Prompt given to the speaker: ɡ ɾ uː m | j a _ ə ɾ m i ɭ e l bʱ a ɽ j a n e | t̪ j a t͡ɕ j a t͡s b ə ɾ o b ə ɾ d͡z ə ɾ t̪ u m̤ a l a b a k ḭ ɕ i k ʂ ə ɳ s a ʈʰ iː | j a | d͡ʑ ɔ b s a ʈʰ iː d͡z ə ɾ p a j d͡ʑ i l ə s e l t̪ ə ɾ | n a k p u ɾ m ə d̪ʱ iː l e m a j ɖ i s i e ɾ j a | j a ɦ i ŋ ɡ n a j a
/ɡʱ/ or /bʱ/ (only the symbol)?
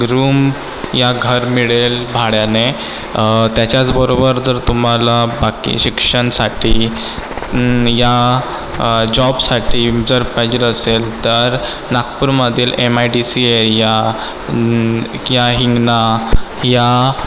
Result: ɡʱ